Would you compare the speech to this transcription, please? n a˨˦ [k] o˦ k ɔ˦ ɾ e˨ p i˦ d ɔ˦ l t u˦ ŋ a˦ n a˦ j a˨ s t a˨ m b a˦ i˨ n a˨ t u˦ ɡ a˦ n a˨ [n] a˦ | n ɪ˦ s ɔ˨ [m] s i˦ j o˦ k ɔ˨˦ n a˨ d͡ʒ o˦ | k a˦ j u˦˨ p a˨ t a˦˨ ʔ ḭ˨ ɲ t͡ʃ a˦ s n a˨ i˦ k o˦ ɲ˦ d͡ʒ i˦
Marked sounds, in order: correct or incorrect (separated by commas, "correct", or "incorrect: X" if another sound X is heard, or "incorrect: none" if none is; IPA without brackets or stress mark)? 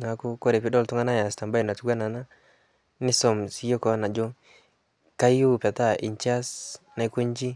correct, correct, correct